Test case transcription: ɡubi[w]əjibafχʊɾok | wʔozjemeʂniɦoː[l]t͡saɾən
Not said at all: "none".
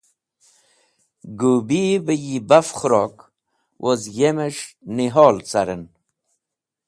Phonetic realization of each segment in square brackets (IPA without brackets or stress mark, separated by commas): b, l